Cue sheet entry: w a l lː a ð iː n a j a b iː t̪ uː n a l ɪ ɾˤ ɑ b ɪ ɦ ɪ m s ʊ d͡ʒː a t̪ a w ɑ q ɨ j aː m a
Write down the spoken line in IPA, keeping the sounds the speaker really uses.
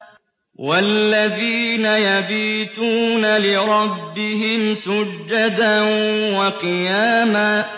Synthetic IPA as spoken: w a l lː a ð iː n a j a b iː t̪ uː n a l ɪ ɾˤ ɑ bː ɪ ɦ ɪ m s ʊ d͡ʒː a d̪ a w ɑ q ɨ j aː m a